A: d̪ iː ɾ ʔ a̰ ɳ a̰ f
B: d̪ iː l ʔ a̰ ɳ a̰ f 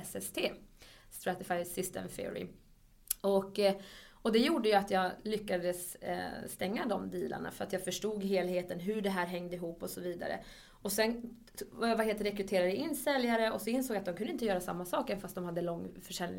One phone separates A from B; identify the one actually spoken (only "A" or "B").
B